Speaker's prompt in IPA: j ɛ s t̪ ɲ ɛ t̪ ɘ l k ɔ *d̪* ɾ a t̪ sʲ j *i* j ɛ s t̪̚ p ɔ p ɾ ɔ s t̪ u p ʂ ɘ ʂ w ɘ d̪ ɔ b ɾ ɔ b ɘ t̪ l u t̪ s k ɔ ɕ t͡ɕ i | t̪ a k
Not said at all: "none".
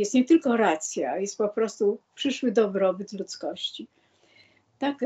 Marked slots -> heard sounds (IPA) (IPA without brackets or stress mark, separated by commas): none, a